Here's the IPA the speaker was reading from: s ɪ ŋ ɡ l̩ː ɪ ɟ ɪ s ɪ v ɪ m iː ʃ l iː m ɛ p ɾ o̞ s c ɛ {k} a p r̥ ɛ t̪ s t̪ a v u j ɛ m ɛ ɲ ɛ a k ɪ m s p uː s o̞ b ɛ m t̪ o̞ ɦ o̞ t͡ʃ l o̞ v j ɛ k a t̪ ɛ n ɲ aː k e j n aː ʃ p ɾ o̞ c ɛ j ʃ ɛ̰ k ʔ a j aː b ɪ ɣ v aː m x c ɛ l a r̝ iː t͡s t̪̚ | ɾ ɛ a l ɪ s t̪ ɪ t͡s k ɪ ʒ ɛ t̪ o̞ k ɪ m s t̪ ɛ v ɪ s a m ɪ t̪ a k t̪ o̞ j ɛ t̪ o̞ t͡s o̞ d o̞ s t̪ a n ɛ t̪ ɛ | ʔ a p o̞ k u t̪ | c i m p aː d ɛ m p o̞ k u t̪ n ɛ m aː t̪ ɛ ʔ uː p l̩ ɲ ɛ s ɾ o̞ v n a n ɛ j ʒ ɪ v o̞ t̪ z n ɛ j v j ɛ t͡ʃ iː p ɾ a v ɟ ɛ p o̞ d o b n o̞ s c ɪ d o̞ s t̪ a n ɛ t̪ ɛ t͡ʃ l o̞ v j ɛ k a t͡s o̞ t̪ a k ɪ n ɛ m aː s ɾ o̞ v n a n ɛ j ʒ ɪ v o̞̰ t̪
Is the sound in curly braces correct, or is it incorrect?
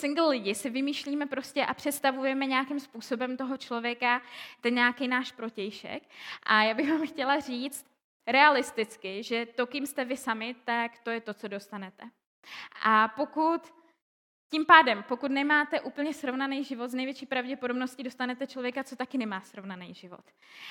incorrect